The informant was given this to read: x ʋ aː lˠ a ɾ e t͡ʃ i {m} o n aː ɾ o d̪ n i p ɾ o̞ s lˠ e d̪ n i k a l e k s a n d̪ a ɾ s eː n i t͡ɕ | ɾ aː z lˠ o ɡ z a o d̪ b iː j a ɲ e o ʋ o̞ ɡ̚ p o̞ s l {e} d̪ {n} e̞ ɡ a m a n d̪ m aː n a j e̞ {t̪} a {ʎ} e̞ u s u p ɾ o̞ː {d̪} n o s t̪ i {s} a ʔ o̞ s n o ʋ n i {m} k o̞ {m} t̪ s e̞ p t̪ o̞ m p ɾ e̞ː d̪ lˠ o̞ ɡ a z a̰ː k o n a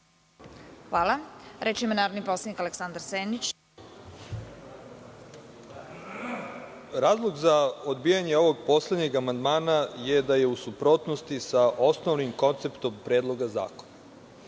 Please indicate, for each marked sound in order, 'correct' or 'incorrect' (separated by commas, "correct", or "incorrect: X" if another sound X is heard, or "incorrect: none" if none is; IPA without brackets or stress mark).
correct, correct, incorrect: ɲ, incorrect: d̪, incorrect: j, incorrect: t̪, correct, correct, incorrect: n